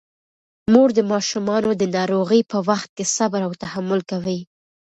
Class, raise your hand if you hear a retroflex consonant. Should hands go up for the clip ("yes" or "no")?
no